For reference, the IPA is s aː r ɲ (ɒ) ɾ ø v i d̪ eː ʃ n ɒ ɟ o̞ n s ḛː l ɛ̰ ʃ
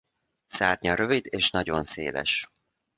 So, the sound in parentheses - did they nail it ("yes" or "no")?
yes